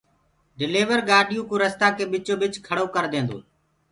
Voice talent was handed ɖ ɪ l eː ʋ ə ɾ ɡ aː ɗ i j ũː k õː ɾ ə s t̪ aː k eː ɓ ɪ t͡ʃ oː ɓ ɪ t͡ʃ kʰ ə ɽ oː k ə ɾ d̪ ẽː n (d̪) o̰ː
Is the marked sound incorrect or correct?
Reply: correct